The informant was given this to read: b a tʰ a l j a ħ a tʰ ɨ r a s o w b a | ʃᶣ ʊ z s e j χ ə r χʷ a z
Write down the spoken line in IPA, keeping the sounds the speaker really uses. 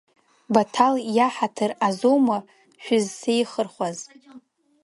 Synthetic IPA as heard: b a tʰ a l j a ħ a tʰ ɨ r a z o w m a | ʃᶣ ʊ z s e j χ ə r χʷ a z